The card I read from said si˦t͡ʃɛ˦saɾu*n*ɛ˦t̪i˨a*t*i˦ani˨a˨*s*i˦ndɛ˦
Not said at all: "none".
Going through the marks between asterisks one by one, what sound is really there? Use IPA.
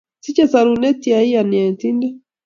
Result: n, none, t

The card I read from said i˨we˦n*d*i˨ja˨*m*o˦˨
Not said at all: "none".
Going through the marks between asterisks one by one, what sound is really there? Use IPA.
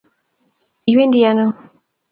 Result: d, n

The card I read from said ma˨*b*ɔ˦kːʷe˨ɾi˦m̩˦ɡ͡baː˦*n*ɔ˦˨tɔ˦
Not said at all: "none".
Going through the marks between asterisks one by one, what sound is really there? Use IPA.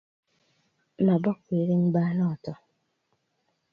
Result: b, n

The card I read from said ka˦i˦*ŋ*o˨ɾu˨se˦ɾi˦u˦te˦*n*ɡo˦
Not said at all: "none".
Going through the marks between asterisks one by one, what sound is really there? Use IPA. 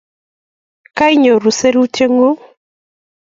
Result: ɲ, ŋ

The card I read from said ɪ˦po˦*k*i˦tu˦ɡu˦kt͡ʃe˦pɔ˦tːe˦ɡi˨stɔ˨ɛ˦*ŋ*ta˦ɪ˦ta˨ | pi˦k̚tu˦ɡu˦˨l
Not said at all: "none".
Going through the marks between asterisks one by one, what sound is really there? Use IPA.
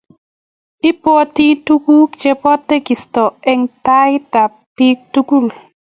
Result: t, ŋ

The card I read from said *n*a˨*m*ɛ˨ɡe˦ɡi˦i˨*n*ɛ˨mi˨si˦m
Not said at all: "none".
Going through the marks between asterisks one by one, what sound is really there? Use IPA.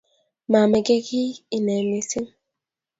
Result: m, m, n

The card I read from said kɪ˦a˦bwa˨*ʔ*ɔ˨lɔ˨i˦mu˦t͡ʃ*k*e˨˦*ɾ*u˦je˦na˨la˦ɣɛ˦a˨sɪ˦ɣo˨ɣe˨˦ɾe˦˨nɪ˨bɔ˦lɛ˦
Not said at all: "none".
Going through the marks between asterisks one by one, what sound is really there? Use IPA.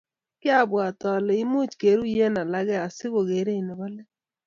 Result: t, k, ɾ

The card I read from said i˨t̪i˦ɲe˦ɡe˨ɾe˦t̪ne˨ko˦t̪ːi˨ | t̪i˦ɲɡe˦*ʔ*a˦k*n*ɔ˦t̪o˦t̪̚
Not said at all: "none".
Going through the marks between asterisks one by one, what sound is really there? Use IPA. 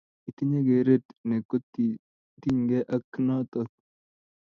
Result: ʔ, n

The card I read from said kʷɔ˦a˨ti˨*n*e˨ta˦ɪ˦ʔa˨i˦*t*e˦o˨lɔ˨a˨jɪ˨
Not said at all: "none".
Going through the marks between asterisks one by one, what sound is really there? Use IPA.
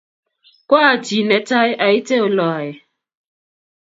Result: n, t

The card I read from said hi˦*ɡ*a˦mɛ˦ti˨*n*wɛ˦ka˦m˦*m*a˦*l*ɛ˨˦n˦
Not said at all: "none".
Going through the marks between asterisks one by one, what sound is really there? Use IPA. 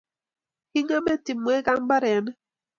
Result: ŋ, m, b, ɾ

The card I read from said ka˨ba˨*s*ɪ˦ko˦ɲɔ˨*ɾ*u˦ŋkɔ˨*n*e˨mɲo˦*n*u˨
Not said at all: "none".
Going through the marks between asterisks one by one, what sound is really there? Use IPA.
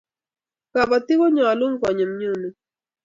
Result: t, l, ɲ, n

